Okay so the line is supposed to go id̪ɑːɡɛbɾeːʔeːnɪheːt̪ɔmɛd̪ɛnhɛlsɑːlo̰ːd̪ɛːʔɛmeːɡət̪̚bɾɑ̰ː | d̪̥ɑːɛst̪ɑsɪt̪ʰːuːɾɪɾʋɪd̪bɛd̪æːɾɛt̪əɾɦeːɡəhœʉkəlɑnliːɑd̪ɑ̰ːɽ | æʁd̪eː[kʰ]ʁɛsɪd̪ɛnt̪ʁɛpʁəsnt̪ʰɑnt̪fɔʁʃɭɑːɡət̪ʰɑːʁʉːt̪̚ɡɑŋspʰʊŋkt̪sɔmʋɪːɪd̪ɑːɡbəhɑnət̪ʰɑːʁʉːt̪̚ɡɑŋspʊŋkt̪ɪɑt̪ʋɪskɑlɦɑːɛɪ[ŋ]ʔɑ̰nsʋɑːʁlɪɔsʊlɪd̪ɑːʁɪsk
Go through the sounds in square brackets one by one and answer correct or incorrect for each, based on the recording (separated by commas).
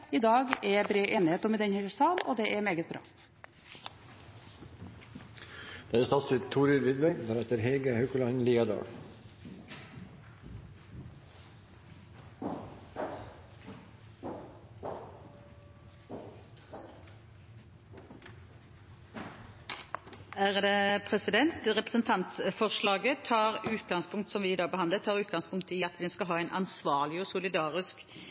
incorrect, incorrect